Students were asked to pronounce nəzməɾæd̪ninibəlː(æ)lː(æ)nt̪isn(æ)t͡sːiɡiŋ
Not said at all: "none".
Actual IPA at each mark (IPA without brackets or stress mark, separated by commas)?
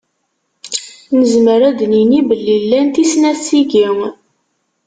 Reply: i, æ, æ